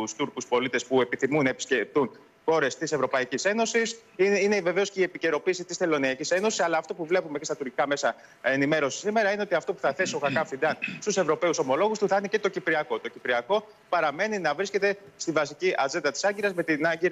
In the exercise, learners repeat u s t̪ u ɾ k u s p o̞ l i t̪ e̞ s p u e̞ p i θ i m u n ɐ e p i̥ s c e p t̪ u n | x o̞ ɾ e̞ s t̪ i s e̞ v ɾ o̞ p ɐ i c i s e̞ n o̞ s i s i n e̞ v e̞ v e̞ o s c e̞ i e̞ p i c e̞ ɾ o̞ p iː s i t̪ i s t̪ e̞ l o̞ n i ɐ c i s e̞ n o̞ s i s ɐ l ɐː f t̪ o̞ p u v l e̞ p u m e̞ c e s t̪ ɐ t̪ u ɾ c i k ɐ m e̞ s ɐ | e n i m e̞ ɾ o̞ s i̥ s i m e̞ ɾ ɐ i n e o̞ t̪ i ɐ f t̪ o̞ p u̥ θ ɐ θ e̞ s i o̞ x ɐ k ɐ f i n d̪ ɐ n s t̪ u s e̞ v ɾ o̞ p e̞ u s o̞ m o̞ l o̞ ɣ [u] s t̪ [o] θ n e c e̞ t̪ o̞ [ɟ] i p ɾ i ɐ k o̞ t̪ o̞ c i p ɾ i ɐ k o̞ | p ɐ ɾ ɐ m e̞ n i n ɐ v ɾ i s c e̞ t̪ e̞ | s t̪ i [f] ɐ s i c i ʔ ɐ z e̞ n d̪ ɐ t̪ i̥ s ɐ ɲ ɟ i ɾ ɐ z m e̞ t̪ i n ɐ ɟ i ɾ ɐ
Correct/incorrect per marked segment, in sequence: correct, incorrect: u, incorrect: c, incorrect: v

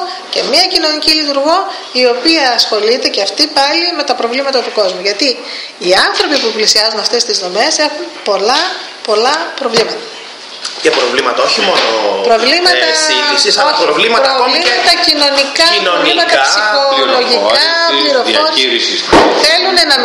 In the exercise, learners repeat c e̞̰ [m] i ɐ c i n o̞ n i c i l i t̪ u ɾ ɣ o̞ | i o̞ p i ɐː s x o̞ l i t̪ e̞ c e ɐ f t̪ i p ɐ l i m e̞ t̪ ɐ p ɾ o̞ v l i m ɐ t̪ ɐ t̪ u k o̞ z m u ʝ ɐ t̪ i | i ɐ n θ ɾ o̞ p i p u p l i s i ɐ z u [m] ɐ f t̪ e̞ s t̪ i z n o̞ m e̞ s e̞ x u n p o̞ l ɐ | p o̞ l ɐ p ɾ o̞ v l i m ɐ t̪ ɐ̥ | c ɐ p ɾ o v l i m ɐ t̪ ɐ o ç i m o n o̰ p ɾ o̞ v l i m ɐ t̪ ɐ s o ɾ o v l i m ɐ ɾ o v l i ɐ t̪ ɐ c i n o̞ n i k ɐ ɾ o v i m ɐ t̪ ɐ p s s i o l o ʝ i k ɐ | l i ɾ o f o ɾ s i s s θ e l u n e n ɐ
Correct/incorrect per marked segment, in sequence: correct, incorrect: n

